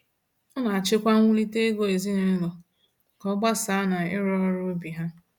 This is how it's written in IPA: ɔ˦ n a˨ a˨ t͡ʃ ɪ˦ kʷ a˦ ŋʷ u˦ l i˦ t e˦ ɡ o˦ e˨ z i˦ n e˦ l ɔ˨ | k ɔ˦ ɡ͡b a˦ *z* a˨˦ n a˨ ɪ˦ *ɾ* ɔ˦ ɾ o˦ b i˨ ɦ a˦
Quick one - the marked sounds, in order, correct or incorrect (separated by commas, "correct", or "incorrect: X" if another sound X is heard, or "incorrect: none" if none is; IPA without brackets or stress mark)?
incorrect: s, correct